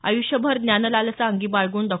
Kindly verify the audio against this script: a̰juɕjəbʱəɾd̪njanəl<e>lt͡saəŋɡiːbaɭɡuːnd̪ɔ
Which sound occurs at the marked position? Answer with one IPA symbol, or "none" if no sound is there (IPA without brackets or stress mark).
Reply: a